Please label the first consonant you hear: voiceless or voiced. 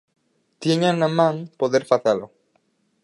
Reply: voiceless